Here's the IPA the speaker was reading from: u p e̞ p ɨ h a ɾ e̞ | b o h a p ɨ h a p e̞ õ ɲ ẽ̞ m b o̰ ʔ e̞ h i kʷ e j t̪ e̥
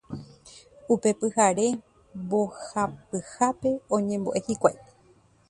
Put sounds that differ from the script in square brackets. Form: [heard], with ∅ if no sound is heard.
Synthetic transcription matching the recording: u p e̞ p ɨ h a ɾ e̞ | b o h a p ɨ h a p e̞ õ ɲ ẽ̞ m b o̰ ʔ e̞ h i kʷ [a] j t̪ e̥